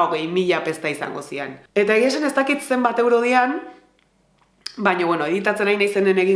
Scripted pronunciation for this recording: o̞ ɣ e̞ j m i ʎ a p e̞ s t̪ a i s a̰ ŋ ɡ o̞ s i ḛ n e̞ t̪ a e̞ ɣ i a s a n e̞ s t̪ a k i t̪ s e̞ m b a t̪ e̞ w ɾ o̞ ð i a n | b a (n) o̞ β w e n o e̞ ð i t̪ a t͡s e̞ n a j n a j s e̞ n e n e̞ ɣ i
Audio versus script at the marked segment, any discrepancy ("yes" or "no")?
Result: yes